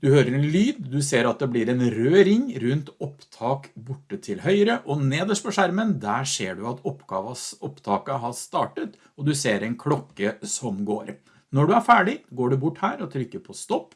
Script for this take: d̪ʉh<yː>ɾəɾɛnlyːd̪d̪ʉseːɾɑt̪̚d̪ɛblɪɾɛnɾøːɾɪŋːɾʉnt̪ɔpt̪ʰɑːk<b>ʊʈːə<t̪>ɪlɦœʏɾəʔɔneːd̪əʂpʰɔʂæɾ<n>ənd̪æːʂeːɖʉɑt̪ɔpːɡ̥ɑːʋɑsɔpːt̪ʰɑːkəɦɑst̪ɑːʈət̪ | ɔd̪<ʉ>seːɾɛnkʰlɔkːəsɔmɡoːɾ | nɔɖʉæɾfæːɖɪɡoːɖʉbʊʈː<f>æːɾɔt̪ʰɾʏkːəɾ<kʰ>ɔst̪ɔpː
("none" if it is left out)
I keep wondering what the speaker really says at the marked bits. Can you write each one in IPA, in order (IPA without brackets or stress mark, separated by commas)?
øː, b, t̪ʰ, m, ʉ, h, pʰ